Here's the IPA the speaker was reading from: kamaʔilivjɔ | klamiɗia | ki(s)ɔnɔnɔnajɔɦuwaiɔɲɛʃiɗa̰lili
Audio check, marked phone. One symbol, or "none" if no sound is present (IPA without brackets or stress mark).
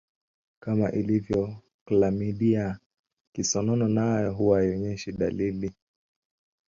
s